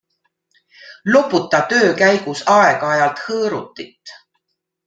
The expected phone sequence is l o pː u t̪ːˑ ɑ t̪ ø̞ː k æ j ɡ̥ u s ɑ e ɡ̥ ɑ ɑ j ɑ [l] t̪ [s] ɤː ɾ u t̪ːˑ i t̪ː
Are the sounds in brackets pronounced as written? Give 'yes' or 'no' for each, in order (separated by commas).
yes, no